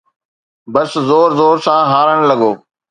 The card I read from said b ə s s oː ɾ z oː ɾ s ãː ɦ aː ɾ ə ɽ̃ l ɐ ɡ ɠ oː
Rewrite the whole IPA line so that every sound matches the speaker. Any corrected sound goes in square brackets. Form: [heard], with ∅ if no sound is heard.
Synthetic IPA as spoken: b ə s [z] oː ɾ z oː ɾ s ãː ɦ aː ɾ ə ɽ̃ l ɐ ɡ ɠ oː